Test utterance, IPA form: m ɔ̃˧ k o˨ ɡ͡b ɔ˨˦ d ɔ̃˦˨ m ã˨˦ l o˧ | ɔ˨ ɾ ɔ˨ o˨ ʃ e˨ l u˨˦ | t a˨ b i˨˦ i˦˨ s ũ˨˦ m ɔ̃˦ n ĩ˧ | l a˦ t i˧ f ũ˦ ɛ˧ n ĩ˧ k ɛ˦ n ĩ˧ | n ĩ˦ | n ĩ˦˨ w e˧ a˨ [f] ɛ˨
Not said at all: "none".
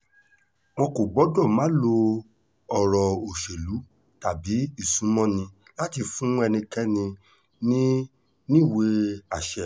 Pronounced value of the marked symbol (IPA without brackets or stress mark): ʃ